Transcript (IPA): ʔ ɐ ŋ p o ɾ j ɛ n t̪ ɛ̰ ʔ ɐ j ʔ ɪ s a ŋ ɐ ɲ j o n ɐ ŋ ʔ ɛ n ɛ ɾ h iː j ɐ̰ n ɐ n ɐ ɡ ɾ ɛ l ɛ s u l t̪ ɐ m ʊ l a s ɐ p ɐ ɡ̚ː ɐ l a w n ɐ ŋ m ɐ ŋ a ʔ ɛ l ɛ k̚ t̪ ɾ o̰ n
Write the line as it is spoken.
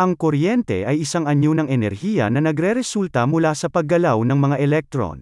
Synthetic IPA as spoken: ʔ ɐ ŋ k o ɾ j ɛ n t̪ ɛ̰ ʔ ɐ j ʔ ɪ s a ŋ ɐ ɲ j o n ɐ ŋ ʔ ɛ n ɛ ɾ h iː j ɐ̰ n ɐ n ɐ ɡ ɾ ɛ ɾ ɛ s u l t̪ ɐ m ʊ l a s ɐ p ɐ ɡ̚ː ɐ l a w n ɐ ŋ m ɐ ŋ a ʔ ɛ l ɛ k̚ t̪ ɾ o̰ n